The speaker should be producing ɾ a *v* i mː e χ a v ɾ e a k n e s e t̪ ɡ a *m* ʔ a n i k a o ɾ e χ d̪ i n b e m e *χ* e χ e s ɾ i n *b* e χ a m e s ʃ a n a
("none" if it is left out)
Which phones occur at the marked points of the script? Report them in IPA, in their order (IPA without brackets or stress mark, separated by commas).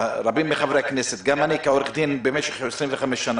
b, m, ʃ, v